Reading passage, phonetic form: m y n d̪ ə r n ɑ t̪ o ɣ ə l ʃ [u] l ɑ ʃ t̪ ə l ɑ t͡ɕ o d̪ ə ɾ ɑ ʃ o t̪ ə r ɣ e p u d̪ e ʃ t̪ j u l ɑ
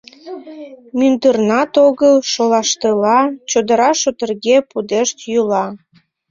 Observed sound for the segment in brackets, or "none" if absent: o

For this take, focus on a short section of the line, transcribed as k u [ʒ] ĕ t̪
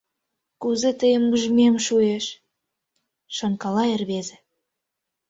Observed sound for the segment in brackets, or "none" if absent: z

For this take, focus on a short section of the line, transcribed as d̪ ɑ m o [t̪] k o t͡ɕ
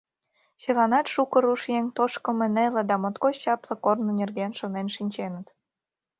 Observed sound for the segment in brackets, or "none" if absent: t̪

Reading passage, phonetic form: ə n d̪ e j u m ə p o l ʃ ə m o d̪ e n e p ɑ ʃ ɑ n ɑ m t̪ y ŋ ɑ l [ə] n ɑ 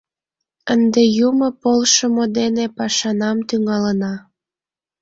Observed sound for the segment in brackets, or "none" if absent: ə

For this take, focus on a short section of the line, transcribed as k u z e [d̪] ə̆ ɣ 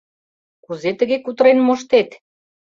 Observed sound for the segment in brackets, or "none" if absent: t̪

